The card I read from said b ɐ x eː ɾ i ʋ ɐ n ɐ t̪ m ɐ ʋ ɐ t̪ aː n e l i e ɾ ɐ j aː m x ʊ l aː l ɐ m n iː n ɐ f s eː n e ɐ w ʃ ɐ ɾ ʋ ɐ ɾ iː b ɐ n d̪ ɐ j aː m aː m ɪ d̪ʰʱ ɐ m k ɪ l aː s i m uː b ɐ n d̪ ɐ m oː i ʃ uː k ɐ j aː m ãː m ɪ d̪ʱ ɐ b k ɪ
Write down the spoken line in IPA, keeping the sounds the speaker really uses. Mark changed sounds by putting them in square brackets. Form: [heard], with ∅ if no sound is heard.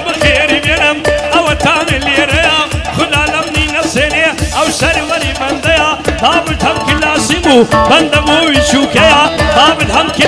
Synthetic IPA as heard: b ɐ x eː ɾ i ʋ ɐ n ɐ [∅] m ɐ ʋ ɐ t̪ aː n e l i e ɾ ɐ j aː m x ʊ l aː l ɐ m n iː n ɐ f s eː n e ɐ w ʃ ɐ ɾ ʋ ɐ ɾ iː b ɐ n d̪ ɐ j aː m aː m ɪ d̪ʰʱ ɐ m k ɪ l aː s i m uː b ɐ n d̪ ɐ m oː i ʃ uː k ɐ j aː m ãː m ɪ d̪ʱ ɐ [m] k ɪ

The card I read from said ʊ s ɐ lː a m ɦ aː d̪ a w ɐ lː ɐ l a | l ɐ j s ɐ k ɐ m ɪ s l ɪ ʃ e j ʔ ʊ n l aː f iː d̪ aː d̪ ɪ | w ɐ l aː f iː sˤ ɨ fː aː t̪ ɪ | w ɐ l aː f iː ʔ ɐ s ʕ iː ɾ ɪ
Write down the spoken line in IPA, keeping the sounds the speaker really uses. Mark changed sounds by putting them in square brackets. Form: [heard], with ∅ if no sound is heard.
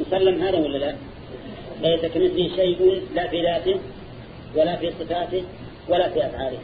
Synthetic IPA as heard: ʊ s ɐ lː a m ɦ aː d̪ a w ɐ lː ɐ l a | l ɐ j s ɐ k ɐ m ɪ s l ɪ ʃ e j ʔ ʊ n l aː f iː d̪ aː [t̪] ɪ | w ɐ l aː f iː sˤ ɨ [f] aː t̪ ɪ | w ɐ l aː f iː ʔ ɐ s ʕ [aː] ɾ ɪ

